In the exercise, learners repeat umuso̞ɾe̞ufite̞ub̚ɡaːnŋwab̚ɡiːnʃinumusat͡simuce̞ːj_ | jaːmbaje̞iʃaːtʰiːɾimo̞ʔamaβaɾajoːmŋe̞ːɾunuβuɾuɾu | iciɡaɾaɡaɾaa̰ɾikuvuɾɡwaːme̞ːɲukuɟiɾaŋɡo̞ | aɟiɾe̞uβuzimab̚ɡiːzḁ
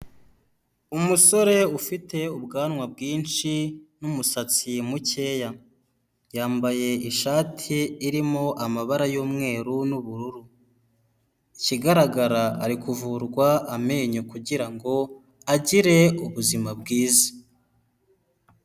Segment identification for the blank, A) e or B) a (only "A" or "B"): B